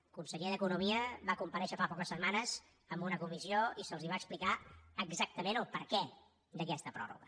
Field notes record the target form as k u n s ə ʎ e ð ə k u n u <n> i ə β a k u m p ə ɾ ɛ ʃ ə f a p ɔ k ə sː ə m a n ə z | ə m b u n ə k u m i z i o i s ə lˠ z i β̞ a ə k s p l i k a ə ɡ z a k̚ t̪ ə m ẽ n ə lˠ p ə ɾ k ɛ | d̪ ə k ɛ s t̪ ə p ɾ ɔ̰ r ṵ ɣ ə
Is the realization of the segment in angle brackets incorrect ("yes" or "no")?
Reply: yes